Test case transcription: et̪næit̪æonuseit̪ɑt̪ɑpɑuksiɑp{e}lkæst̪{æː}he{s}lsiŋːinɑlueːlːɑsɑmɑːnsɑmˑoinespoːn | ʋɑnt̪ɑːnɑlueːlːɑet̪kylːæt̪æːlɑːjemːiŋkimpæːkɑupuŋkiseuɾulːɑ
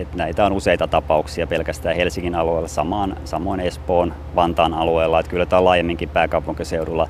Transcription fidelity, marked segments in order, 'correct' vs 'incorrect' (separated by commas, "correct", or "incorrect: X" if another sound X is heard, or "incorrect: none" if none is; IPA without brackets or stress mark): correct, correct, incorrect: none